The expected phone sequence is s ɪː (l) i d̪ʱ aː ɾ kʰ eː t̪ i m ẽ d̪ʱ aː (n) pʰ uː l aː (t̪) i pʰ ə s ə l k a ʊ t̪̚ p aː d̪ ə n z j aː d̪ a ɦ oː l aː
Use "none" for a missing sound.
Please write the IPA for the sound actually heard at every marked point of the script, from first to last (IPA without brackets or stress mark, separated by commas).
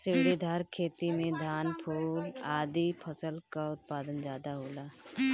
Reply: ɽ, n, d̪